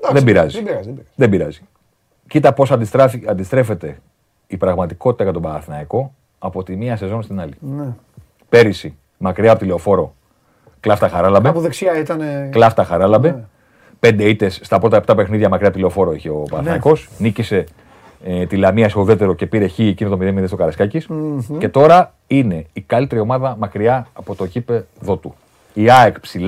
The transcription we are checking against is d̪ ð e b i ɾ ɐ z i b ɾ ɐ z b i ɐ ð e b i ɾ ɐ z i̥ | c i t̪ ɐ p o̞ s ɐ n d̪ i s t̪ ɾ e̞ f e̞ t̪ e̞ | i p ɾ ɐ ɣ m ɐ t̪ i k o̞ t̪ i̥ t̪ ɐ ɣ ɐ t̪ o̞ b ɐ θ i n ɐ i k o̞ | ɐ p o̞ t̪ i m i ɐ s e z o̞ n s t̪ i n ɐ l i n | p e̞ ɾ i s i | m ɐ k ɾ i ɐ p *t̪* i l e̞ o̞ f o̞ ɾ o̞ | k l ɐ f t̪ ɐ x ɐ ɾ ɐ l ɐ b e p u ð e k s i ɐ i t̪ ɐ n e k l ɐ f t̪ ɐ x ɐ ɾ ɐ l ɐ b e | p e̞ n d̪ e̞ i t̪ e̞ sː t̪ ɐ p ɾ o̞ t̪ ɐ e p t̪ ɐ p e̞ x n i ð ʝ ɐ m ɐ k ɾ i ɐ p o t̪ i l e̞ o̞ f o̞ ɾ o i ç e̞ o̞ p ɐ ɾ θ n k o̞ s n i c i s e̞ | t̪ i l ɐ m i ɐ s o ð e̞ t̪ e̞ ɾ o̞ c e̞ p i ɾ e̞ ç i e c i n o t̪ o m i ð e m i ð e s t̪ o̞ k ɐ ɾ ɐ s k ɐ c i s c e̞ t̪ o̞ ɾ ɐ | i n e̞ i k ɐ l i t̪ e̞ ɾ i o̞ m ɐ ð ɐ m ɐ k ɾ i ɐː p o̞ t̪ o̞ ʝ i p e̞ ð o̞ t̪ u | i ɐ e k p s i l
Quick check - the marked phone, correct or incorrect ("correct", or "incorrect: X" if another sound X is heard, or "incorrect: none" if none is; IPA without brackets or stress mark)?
correct